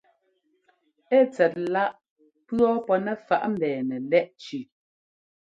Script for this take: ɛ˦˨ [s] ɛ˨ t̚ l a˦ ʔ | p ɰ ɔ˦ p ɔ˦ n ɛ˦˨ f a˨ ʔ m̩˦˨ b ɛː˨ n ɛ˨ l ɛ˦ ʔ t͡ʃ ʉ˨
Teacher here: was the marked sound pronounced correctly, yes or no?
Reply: no